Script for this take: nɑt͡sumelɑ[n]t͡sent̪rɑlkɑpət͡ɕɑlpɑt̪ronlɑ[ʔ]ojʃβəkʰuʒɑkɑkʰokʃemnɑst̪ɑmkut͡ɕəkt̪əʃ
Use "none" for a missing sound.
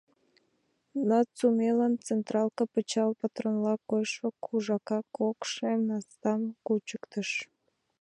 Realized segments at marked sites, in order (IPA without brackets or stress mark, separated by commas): n, k